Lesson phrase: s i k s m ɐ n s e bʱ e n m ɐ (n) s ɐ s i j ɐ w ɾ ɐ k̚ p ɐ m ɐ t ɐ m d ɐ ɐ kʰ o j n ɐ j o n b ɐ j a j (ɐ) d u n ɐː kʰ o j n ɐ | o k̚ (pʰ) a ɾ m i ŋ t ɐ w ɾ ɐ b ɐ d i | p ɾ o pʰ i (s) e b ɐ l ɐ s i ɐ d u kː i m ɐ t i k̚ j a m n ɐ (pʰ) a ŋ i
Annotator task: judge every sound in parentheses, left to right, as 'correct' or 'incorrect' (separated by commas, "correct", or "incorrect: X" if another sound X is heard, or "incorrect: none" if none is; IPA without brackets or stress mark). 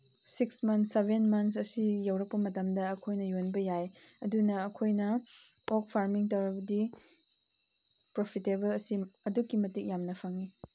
correct, correct, correct, incorrect: t, correct